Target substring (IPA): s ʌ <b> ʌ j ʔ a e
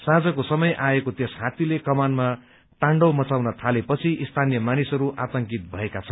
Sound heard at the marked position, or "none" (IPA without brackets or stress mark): m